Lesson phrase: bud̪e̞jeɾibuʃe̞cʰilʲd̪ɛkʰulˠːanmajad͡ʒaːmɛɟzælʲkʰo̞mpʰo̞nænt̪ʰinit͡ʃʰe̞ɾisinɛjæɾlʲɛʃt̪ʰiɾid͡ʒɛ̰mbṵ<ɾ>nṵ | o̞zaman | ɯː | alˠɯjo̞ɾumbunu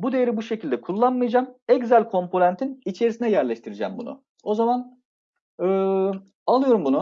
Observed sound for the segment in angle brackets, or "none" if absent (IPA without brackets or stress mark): none